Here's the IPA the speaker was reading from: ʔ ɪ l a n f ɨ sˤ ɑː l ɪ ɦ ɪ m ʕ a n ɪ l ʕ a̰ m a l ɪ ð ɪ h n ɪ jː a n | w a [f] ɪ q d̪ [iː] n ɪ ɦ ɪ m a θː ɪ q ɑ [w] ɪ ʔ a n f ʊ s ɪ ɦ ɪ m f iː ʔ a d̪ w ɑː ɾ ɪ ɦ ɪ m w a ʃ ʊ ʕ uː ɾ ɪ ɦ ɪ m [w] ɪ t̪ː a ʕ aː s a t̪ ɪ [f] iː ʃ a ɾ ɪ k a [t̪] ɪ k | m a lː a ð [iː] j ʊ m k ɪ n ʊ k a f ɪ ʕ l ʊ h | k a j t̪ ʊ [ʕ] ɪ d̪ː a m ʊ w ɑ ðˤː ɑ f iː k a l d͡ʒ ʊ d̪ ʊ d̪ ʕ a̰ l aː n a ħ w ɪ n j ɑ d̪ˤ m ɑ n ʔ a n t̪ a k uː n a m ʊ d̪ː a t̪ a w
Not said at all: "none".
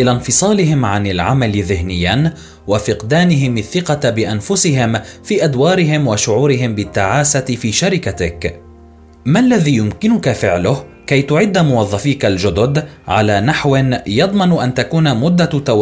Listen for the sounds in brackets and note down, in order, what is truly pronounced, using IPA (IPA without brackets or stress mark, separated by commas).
f, aː, b, b, f, t̪, iː, ʕ